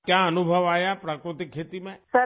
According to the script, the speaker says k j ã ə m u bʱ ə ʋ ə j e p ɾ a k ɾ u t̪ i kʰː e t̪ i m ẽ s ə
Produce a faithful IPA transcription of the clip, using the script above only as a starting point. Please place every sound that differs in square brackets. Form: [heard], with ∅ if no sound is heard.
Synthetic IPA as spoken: k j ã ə [n] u bʱ ə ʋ [a] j [a] p ɾ a k ɾ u t̪ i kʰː e t̪ i m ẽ s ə